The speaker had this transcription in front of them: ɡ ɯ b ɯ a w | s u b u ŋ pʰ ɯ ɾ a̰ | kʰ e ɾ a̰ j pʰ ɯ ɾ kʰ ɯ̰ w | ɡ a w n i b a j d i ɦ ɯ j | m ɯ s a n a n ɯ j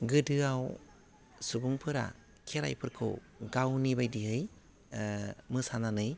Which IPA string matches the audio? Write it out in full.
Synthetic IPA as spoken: ɡ ɯ d ɯ a w | s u b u ŋ pʰ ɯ ɾ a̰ | kʰ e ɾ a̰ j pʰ ɯ ɾ kʰ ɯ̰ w | ɡ a w n i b a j d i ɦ ɯ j | m ɯ s a n a n ɯ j